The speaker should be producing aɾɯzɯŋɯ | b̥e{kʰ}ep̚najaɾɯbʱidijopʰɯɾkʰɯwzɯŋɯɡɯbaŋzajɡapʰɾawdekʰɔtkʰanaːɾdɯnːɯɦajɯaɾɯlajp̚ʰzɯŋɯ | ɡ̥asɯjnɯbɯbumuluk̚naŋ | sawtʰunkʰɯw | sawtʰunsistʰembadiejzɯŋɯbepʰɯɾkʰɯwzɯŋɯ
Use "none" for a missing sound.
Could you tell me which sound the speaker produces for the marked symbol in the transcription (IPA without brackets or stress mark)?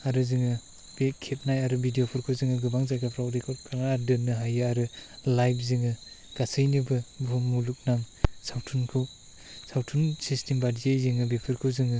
kʰ